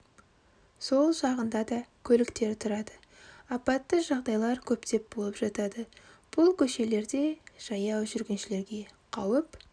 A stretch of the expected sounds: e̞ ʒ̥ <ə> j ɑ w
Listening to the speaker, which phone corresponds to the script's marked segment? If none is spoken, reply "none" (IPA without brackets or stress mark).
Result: ɑ